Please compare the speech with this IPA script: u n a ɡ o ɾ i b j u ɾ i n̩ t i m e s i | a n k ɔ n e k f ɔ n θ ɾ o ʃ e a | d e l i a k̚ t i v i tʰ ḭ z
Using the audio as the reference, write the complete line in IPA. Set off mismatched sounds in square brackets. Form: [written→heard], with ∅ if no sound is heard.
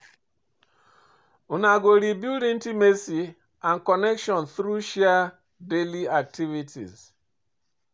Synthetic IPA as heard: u n a ɡ o ɾ i b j u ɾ i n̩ t i m e s i | a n k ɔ n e k [f→ʃ] ɔ n θ ɾ [o→u] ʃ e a | d e l i a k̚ t i v i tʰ ḭ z